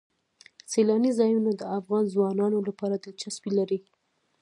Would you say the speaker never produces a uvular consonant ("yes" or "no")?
yes